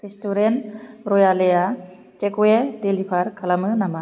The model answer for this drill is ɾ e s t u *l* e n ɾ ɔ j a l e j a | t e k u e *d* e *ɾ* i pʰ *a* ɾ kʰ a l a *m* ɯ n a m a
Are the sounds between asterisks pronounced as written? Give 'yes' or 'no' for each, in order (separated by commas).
no, yes, no, yes, yes